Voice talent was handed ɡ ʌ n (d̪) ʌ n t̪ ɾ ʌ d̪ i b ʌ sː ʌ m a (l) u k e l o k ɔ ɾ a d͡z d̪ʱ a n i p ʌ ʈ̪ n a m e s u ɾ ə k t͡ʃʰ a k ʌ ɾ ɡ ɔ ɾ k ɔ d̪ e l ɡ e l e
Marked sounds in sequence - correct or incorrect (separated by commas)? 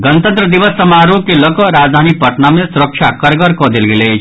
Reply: incorrect, incorrect